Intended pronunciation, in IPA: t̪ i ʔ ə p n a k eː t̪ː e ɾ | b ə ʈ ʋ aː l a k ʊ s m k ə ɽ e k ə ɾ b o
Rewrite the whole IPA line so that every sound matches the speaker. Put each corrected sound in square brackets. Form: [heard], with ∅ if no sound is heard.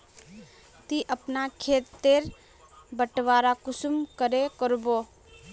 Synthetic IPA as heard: t̪ i ʔ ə p n a [kʰ] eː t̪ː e ɾ | b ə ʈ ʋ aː [ɾ] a k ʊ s m k ə [ɾ] e k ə ɾ b o